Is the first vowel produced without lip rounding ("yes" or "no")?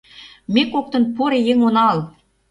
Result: yes